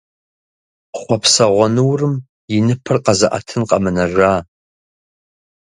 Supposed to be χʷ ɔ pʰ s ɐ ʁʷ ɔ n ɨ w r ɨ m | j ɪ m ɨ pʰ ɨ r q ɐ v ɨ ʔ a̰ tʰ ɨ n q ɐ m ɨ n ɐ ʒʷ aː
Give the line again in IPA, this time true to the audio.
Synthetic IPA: χʷ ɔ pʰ s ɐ ʁʷ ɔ n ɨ w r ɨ m | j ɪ n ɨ pʰ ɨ r q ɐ z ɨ ʔ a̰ tʰ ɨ n q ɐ m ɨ n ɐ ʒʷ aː